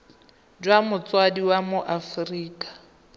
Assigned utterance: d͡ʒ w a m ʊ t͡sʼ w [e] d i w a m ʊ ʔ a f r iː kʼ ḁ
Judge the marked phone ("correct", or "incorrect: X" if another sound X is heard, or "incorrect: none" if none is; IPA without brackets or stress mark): incorrect: a